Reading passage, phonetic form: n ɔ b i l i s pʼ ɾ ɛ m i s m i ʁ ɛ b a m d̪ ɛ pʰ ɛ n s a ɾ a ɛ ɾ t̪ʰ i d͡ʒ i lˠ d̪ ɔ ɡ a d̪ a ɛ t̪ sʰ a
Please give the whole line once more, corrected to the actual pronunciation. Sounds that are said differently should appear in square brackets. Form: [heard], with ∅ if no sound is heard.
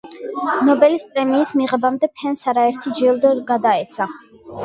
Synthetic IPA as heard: n ɔ b [ɛ] l i s pʼ ɾ ɛ m [iː] s m i ʁ ɛ b a m d̪ ɛ pʰ ɛ n s a ɾ a ɛ ɾ t̪ʰ i d͡ʒ i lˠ d̪ ɔ ɡ a d̪ a ɛ t̪ sʰ a